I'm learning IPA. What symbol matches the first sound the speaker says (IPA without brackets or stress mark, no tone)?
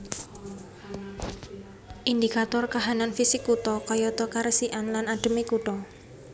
ʔ